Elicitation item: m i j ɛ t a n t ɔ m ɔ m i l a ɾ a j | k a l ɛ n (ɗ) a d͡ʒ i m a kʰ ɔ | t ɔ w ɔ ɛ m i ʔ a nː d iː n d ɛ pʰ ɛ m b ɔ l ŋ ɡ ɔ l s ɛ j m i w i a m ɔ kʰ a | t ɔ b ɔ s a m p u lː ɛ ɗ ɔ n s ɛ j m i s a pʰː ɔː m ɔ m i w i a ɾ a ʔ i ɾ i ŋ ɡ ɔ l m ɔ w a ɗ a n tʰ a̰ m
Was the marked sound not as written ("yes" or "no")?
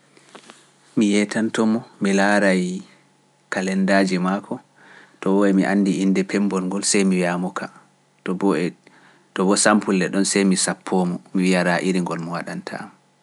yes